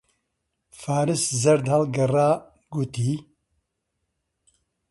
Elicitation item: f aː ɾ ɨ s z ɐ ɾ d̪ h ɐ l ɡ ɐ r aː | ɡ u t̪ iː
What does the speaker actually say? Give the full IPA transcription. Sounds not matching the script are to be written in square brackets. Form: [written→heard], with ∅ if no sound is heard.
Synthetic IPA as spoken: f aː ɾ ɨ s z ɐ ɾ d̪ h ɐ l ɡ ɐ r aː | ɡ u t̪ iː